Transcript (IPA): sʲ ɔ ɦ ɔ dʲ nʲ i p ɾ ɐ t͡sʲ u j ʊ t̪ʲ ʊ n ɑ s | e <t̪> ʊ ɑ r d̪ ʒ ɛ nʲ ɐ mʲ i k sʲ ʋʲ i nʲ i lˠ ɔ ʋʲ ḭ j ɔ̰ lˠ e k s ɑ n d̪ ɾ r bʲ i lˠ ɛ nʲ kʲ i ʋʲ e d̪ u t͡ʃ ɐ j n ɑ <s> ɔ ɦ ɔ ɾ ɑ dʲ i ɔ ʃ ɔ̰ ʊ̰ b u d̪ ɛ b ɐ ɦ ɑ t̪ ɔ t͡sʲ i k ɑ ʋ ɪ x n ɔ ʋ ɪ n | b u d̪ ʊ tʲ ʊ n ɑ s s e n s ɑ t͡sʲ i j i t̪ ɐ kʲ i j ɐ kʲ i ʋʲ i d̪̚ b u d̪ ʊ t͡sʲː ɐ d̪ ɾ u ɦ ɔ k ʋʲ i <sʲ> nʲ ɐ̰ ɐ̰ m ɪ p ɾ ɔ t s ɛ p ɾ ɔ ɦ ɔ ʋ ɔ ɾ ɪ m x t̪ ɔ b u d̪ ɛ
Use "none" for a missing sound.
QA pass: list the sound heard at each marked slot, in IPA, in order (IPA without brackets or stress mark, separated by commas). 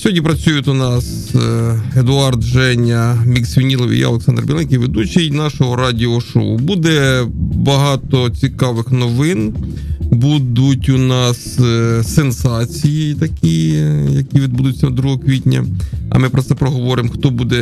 d̪, ʃ, tʲ